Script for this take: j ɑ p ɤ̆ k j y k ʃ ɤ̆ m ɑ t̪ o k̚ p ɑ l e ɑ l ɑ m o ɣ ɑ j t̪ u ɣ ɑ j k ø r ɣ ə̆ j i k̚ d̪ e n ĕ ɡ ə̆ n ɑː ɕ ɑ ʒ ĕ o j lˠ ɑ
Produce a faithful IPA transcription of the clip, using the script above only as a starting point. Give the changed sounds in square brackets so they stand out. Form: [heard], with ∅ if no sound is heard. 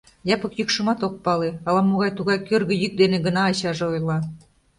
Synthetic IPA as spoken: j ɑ p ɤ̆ k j y k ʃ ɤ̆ m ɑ t̪ o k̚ p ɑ l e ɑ l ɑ m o ɣ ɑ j t̪ u ɣ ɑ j k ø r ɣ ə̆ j [y] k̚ d̪ e n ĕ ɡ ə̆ n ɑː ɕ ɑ ʒ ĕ o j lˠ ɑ